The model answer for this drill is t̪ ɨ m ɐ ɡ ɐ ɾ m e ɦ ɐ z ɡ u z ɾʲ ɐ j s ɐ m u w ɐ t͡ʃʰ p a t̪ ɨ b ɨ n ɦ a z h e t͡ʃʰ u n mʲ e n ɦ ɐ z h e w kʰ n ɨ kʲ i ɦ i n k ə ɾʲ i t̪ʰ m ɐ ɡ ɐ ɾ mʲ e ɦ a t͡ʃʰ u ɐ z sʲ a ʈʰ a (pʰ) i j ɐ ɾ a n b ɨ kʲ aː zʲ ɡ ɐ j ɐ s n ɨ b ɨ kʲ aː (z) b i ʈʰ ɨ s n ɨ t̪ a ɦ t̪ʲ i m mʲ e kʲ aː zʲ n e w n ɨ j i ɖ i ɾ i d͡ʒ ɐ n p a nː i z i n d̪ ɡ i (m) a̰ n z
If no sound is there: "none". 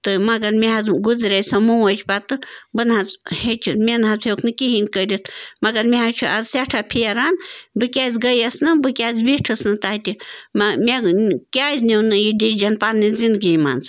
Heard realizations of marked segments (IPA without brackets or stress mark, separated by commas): pʰ, z, m